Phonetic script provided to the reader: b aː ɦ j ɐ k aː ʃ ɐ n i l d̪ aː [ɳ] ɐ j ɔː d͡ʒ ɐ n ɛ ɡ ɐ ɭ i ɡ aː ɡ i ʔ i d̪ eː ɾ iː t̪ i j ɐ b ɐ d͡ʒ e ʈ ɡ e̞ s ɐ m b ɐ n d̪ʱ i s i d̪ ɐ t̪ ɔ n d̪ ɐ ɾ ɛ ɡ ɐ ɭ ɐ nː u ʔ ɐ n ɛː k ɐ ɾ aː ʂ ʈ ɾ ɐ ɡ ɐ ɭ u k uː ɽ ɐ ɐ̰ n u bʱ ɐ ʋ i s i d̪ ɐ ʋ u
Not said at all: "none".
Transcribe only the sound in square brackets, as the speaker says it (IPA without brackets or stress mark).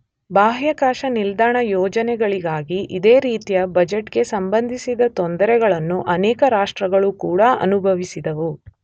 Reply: ɳ